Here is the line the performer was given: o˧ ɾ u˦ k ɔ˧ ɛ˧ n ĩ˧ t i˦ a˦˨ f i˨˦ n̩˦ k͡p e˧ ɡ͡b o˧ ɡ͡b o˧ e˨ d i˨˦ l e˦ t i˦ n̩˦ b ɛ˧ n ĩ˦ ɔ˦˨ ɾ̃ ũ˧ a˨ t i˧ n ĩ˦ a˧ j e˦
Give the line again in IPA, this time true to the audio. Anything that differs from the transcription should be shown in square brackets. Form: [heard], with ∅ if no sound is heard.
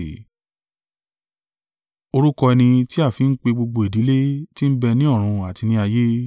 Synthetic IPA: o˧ ɾ u˦ k ɔ˧ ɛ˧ n ĩ˧ t i˦ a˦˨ f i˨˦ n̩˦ k͡p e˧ ɡ͡b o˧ ɡ͡b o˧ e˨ d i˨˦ l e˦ t i˦ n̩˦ b ɛ˧ n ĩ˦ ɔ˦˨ ɾ̃ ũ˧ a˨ t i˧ n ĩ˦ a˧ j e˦